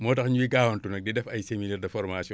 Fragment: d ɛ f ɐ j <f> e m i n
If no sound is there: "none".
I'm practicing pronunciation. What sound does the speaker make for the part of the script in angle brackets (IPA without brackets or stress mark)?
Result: s